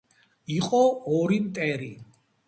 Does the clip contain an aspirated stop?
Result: no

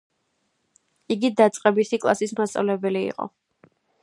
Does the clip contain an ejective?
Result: yes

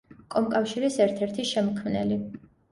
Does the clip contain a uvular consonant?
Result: no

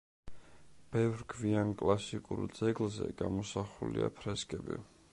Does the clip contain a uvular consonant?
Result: yes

